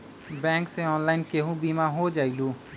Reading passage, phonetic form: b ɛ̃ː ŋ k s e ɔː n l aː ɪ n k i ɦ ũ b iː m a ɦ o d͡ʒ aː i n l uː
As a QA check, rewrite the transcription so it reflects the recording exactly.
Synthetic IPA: b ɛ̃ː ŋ k s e ɔː n l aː ɪ n k e ɦ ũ b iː m a ɦ o d͡ʒ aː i l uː